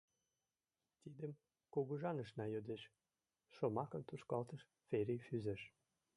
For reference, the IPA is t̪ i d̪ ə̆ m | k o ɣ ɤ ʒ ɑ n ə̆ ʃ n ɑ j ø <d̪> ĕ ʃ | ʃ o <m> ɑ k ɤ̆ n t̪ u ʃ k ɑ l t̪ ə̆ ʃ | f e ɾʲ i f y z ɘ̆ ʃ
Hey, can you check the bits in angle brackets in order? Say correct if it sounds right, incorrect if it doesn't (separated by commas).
correct, correct